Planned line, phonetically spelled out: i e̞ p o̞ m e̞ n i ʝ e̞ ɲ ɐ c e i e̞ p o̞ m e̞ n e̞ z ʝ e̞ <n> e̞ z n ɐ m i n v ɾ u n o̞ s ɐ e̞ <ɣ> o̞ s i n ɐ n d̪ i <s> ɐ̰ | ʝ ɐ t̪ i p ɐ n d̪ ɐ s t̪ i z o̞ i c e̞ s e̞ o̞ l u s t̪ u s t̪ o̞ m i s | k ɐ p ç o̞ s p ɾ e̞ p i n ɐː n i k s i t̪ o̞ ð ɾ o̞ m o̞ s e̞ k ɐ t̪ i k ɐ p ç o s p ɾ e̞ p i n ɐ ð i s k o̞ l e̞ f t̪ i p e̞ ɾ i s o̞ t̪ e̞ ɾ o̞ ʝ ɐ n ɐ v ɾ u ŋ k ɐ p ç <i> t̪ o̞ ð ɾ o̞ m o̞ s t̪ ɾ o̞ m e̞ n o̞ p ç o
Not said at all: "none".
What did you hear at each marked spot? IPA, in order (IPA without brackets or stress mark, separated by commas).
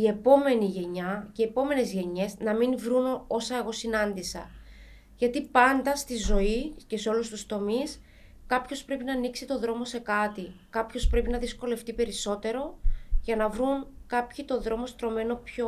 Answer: ɲ, ɣ, s, i